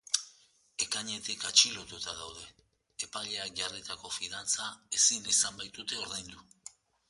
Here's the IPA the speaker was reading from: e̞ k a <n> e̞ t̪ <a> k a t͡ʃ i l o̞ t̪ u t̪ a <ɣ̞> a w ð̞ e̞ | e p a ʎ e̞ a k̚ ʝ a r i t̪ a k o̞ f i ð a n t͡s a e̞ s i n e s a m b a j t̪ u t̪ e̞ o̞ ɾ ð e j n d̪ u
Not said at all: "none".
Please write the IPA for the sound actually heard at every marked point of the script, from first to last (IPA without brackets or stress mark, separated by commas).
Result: ɲ, i, ð̞